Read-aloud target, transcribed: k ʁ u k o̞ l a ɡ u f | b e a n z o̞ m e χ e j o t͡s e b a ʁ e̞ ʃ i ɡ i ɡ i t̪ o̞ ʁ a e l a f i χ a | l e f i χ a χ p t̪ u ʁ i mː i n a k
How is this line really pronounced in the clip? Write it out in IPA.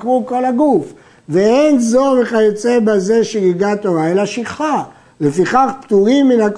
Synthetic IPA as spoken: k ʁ u k o̞ l a ɡ u f | v e e n z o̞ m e χ a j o t͡s e b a z e̞ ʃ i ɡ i ɡ a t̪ o̞ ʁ a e l a ʃ i χ a | l e f i χ a χ p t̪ u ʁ i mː i n a k